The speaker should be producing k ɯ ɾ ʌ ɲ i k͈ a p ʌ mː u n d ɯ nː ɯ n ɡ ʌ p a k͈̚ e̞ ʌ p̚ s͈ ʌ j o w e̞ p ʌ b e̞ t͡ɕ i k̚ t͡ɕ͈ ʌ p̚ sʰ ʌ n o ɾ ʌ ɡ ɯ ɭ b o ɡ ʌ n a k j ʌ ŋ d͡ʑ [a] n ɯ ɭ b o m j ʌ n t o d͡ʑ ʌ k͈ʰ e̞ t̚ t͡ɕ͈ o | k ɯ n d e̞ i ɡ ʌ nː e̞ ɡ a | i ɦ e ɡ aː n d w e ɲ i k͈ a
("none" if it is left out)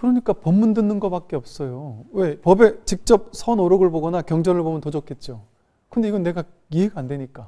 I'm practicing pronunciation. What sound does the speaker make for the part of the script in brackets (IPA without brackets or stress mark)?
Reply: ʌ